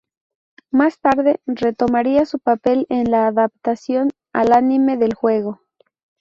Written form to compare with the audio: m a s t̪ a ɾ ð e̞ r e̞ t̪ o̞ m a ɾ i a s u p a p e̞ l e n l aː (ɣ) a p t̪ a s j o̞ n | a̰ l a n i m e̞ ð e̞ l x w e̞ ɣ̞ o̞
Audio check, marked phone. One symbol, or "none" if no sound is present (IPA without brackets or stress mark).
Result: ð